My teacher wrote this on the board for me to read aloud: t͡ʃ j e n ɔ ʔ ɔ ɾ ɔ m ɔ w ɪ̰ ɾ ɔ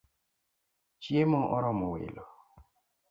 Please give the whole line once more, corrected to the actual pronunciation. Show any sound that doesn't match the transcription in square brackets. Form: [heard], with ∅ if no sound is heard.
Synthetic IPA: t͡ʃ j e [m] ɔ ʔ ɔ ɾ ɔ m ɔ w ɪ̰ [l] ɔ